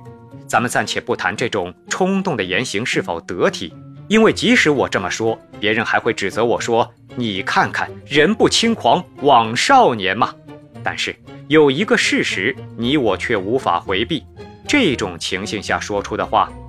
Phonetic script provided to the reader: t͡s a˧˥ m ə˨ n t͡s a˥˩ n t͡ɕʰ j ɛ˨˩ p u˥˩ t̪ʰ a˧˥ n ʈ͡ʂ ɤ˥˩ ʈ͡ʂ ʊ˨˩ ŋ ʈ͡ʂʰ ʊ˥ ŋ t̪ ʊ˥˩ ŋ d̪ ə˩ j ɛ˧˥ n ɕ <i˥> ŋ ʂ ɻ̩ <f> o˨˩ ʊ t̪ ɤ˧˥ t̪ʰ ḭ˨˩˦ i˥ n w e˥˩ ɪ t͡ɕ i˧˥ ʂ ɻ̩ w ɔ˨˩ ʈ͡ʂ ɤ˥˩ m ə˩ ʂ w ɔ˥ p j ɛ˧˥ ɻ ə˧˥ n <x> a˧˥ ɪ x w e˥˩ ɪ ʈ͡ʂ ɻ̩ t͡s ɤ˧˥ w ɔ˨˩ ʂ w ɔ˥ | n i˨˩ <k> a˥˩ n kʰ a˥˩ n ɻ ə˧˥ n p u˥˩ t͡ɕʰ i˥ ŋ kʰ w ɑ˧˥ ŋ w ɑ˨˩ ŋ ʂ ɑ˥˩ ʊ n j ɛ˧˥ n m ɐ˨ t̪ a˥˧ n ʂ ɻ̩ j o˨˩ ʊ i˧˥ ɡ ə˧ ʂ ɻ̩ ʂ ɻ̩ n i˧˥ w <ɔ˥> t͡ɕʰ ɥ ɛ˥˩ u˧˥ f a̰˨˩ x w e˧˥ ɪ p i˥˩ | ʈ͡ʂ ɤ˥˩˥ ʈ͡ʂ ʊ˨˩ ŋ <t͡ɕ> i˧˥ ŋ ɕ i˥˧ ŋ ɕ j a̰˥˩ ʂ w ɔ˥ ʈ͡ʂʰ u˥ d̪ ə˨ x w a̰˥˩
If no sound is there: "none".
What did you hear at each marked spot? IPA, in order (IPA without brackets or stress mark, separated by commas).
i˧˥, f, x, kʰ, ɔ˨˩, t͡ɕʰ